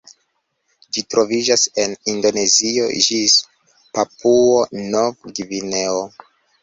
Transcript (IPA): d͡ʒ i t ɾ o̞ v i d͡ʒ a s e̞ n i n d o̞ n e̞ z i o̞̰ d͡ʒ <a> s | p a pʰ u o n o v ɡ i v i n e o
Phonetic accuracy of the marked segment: incorrect: i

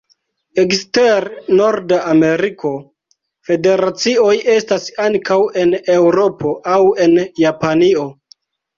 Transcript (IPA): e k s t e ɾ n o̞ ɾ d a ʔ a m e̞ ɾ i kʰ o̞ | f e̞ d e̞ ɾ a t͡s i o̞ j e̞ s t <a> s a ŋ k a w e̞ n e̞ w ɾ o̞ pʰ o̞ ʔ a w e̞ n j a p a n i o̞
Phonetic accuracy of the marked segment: correct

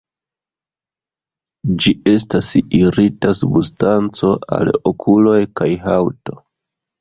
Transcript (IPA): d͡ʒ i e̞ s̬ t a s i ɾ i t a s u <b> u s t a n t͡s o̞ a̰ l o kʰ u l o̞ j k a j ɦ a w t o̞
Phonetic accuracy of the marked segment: correct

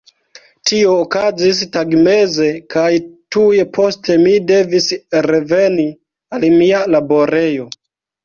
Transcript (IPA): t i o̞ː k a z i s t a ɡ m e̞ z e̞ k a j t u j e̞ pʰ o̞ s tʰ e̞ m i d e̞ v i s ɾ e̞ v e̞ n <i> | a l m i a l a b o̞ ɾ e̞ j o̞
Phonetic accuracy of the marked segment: correct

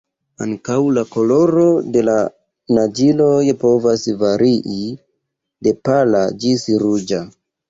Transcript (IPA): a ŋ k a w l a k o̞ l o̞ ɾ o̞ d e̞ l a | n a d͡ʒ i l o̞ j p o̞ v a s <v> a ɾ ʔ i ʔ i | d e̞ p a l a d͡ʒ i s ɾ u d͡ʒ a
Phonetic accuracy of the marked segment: correct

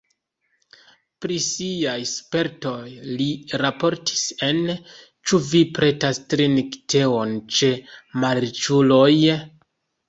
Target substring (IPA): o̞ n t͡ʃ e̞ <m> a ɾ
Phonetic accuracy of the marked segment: correct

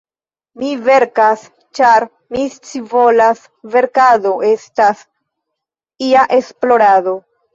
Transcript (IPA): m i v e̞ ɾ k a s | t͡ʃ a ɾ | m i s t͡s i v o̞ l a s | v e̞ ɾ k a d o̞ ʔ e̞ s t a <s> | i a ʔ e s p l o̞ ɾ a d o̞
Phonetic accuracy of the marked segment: correct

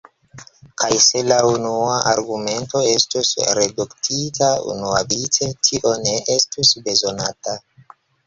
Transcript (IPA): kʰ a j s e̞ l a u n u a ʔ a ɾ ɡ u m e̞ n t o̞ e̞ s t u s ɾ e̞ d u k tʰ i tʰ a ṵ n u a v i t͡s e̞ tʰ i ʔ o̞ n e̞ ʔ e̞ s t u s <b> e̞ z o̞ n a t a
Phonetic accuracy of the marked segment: correct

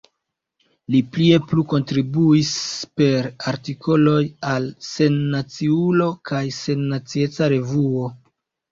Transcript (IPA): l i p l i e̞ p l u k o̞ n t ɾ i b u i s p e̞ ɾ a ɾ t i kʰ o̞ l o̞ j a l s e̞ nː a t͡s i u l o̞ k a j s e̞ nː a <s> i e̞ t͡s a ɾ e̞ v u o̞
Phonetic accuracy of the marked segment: incorrect: t͡s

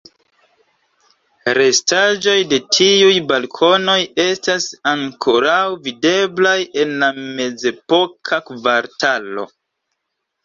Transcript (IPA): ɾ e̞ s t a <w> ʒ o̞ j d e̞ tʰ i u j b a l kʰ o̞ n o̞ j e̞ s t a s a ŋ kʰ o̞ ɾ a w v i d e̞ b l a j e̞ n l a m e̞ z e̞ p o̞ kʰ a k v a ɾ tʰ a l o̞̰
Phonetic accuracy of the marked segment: incorrect: none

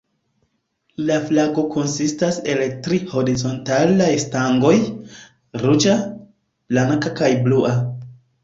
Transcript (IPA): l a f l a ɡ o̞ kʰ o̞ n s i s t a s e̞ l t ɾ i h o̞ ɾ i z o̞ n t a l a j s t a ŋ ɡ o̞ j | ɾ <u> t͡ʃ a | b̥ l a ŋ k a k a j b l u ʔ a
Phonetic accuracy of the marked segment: correct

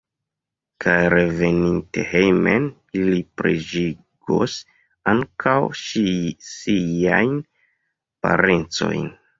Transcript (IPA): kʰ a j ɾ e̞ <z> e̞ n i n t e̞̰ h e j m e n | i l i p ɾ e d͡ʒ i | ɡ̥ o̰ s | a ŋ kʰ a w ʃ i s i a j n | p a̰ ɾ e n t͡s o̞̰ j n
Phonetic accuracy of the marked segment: incorrect: v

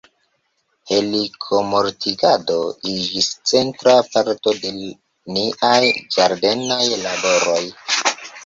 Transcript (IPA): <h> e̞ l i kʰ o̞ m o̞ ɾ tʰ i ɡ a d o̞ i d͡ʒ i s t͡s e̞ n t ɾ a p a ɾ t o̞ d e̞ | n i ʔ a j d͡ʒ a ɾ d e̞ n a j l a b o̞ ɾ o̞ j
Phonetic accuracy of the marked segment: correct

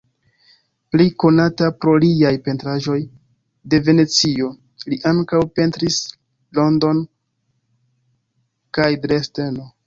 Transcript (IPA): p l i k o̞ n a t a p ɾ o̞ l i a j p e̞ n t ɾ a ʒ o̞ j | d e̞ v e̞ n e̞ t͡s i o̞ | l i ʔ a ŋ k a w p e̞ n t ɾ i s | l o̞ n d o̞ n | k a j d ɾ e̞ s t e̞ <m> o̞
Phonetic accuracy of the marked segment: incorrect: n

